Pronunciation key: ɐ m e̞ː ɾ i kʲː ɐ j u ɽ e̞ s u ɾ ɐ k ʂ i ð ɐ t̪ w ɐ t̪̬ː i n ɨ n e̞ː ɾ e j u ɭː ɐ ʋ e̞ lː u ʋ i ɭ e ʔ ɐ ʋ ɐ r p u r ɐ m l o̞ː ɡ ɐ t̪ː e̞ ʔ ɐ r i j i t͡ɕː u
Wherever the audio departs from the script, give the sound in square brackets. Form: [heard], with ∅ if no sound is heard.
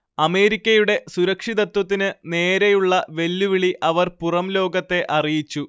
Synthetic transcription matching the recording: ɐ m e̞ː ɾ i kʲː ɐ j u ɽ e̞ s u ɾ ɐ k ʂ i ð ɐ t̪ w ɐ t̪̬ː i n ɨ n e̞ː ɾ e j u ɭː ɐ ʋ e̞ lː u ʋ i ɭ [i] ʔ ɐ ʋ ɐ r p u r ɐ m l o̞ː ɡ ɐ t̪ː e̞ ʔ ɐ r i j i t͡ɕː u